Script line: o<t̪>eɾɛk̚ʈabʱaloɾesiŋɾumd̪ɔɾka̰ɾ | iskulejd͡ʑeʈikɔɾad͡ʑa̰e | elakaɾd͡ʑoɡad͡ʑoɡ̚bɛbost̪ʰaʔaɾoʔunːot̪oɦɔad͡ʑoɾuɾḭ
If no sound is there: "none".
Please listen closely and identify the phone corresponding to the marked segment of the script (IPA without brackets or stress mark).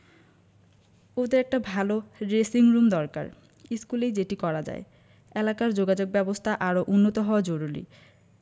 d̪